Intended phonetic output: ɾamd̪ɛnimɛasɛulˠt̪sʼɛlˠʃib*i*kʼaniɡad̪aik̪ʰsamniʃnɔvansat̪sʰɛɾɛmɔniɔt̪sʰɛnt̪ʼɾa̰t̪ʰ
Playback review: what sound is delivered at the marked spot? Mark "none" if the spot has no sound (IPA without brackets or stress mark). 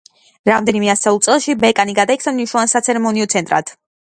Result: ɛ